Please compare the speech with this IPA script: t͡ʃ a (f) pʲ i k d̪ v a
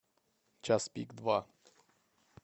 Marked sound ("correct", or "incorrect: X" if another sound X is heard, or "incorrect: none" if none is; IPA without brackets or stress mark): incorrect: s